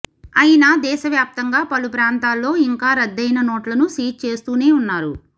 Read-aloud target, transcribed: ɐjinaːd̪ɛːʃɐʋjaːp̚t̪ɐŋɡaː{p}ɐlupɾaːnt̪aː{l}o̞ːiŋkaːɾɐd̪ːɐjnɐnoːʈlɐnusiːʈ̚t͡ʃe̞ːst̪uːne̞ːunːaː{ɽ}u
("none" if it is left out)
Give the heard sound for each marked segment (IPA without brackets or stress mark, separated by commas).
p, lː, ɾ